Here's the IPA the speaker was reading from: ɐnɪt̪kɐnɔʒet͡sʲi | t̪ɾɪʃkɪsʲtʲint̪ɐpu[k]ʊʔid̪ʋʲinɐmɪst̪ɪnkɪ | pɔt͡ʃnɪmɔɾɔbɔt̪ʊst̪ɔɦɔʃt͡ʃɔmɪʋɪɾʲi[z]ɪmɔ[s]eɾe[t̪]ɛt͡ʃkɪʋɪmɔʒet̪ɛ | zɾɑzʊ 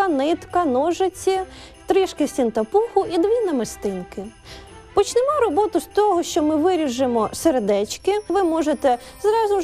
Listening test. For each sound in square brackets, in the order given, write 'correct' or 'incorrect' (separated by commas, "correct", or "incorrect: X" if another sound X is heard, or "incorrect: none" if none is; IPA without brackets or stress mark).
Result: incorrect: x, incorrect: ʒ, correct, incorrect: d̪